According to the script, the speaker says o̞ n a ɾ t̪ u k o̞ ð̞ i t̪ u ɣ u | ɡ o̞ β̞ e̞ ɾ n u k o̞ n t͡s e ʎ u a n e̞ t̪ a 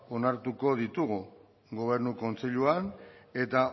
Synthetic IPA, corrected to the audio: o̞ n a ɾ t̪ u k o̞ ð̞ i t̪ u ɣ u | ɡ o̞ β̞ e̞ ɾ n u k o̞ n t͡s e ʎ u a n e̞ t̪ a